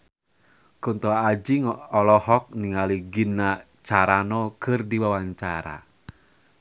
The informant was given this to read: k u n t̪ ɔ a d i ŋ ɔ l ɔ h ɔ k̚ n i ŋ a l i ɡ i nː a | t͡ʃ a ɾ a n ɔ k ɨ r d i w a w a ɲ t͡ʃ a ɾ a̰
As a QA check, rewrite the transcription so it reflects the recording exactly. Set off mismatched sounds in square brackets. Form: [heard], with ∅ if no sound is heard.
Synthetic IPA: k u n t̪ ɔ a [d͡ʒ] i ŋ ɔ l ɔ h ɔ k̚ n i ŋ a l i ɡ i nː a | t͡ʃ a ɾ a n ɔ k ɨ r d i w a w a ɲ t͡ʃ a ɾ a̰